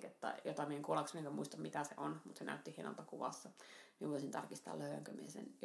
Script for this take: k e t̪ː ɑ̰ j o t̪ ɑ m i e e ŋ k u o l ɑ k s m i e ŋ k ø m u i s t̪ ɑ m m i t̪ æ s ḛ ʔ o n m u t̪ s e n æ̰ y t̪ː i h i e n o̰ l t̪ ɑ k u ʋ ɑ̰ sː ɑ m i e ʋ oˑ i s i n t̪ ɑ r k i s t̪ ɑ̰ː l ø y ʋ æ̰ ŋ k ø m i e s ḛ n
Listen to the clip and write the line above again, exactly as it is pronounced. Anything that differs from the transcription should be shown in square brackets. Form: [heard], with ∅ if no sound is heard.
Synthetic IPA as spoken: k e t̪ː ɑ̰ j o t̪ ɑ m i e e ŋ k u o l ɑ k s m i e ŋ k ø m u i s t̪ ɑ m m i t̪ æ s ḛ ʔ o n m u t̪ s e n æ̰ y t̪ː i h i e n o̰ l t̪ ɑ k u ʋ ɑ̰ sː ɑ m i e ʋ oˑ i s i n t̪ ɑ r k i s t̪ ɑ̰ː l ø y ʋ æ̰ ŋ k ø m i e s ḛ n